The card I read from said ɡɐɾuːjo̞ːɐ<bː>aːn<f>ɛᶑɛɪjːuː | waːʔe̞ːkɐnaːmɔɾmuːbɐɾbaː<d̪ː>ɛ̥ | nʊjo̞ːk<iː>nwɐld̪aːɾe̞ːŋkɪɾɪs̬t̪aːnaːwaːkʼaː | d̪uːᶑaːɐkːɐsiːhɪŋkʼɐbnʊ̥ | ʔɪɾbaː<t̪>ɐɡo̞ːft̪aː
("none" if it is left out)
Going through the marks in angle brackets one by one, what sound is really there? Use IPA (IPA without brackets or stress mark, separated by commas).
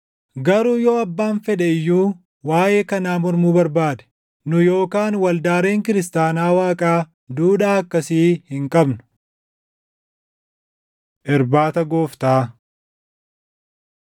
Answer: bː, f, d̪, aː, t̪